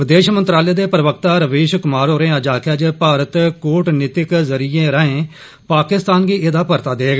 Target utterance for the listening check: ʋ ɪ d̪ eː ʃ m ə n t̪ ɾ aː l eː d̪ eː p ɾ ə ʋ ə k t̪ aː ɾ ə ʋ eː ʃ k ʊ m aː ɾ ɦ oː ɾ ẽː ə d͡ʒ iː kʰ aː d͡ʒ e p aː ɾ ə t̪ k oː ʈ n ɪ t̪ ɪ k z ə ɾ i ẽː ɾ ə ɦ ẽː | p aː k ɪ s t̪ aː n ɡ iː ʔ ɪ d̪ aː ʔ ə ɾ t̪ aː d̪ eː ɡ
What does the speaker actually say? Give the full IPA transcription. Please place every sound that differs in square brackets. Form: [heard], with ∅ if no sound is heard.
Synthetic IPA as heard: ʋ ɪ d̪ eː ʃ m ə n t̪ ɾ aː l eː d̪ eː p ɾ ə ʋ ə k t̪ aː ɾ ə ʋ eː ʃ k ʊ m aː ɾ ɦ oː ɾ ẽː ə d͡ʒ [aː] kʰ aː d͡ʒ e p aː ɾ ə t̪ k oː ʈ n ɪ t̪ ɪ k z ə ɾ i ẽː ɾ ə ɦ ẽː | p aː k ɪ s t̪ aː n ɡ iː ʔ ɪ d̪ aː [p] ə ɾ t̪ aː d̪ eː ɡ